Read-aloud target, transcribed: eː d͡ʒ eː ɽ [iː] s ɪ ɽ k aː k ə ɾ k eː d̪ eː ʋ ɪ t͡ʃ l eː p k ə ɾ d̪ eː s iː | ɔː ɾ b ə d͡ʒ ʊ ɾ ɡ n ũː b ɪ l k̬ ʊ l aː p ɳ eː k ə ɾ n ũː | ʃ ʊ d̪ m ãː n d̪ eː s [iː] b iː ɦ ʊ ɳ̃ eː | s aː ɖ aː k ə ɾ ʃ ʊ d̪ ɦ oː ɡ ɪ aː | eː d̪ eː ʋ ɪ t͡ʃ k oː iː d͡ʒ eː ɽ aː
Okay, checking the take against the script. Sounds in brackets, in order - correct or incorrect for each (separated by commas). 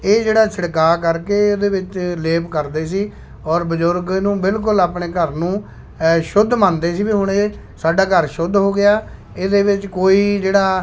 incorrect, correct